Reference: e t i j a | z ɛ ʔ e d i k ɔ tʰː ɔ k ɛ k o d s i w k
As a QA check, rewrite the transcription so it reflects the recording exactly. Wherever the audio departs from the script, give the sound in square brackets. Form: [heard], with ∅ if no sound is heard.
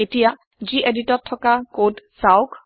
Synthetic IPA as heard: e t i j a | z [i] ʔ e d i [t] ɔ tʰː ɔ k [a] k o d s [a] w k